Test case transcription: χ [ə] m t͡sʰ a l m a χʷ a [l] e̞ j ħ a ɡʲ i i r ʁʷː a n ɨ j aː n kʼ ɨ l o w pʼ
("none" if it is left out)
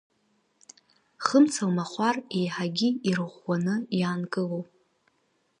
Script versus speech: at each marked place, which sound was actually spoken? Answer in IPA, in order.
ə, r

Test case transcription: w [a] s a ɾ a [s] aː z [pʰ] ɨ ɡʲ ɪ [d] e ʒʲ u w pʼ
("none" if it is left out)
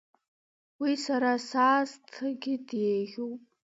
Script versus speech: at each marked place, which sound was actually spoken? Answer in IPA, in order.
i, s, tʰ, d

